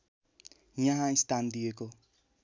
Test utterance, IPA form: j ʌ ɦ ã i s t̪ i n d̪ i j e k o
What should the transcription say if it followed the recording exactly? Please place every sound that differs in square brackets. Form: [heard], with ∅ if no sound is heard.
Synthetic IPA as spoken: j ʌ ɦ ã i s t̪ [a] n d̪ i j e k o

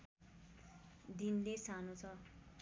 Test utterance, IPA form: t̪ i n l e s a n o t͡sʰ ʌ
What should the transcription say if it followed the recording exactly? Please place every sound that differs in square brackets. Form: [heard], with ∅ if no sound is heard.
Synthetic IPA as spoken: [d̪] i n l e s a n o t͡sʰ ʌ

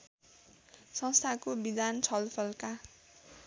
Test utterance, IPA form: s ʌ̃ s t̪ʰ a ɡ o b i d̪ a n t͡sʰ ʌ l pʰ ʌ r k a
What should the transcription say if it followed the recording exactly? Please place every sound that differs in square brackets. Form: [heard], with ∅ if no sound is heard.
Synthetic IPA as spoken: s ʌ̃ s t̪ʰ a [k] o b i d̪ a n t͡sʰ ʌ l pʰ ʌ [l] k a

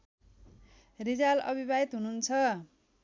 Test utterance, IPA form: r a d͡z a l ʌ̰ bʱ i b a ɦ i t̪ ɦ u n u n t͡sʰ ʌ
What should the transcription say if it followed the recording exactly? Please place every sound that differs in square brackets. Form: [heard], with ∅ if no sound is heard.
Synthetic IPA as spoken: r [i] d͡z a l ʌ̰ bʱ i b a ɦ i t̪ ɦ u n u n t͡sʰ ʌ

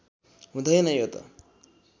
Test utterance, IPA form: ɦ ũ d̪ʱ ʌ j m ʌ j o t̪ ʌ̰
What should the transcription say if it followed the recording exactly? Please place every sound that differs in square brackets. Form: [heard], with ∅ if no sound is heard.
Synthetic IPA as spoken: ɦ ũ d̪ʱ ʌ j [n] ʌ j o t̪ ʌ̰

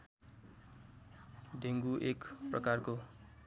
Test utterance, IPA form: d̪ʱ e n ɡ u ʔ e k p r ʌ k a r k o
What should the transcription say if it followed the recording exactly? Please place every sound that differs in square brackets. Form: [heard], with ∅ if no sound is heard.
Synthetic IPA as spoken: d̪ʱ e [ŋ] ɡ u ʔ e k p r ʌ k a r k o

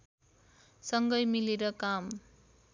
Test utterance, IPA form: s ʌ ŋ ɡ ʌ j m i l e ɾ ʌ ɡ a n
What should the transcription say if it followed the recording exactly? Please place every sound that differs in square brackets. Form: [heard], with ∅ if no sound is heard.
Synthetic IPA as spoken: s ʌ ŋ ɡ ʌ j m i l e ɾ ʌ [k] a [m]

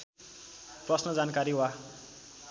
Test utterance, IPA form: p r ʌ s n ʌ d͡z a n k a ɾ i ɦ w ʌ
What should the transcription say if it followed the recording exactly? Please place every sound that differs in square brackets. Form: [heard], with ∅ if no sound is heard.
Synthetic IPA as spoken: p r ʌ s n ʌ d͡z a n k a ɾ i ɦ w [a]

